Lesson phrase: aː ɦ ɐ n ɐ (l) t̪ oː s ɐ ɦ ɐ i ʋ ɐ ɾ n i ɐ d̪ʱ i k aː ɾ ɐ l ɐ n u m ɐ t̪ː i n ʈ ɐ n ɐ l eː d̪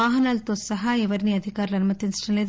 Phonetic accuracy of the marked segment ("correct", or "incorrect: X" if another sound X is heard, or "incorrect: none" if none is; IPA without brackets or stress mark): correct